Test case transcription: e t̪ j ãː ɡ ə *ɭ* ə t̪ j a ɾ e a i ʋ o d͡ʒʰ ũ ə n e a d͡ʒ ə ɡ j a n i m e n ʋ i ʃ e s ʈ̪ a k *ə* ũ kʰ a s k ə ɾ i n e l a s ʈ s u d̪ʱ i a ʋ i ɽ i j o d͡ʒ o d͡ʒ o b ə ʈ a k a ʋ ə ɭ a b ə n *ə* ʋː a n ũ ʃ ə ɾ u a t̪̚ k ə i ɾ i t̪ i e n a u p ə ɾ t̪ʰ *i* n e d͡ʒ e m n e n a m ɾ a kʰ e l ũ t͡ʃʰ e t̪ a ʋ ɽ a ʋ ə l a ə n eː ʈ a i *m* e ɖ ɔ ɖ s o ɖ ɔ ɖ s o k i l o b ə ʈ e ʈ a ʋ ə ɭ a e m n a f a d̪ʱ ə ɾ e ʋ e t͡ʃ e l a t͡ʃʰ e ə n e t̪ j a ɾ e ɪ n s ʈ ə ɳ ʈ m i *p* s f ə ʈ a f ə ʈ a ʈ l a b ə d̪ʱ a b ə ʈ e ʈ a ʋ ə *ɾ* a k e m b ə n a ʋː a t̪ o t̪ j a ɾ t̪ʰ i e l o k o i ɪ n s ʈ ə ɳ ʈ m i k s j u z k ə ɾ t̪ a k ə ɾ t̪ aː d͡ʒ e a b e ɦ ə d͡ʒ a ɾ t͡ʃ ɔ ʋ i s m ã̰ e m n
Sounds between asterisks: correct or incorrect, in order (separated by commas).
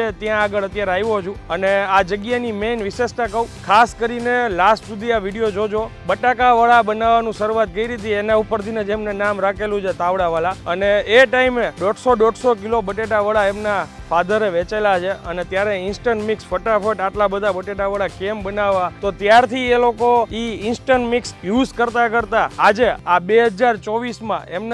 correct, correct, incorrect, correct, correct, incorrect, incorrect